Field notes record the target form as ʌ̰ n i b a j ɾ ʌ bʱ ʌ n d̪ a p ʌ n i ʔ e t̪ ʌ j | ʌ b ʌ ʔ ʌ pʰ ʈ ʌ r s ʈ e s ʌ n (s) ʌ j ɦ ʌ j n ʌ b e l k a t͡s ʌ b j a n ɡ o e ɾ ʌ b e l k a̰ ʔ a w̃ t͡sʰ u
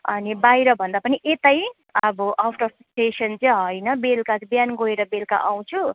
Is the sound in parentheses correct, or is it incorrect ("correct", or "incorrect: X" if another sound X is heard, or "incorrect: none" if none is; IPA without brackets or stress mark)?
incorrect: t͡s